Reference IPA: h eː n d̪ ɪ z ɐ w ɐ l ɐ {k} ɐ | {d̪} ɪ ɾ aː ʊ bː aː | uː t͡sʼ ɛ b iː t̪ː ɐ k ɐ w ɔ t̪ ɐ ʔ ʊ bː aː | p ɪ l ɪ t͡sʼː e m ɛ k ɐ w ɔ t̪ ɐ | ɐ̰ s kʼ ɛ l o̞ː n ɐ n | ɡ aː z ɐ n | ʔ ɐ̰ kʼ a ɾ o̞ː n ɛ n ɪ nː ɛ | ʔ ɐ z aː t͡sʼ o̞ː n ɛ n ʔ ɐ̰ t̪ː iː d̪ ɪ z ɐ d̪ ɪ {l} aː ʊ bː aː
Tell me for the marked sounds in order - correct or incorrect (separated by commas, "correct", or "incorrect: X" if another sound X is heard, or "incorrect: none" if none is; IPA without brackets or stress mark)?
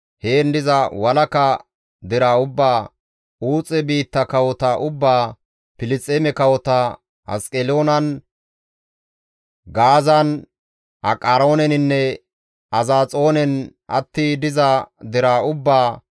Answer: correct, correct, incorrect: ɾ